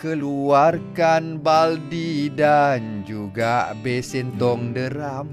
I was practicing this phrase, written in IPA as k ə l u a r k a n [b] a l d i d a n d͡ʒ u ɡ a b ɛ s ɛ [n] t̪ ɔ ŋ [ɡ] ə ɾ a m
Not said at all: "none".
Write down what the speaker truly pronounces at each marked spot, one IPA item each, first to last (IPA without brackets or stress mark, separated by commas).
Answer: b, n, d